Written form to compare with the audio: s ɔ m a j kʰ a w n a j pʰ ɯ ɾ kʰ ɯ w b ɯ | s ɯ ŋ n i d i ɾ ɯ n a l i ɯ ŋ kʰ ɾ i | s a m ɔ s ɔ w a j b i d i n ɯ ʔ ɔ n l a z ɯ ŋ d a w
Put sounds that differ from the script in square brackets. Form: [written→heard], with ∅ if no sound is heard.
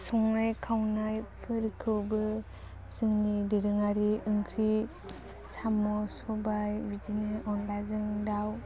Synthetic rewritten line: s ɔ [m→ŋ] a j kʰ a w n a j pʰ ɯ ɾ kʰ ɯ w b ɯ | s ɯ ŋ n i d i ɾ ɯ [n→ŋ] a [l→ɾ] i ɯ ŋ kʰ ɾ i | s a m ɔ s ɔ [w→b] a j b i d i n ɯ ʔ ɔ n l a z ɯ ŋ d a w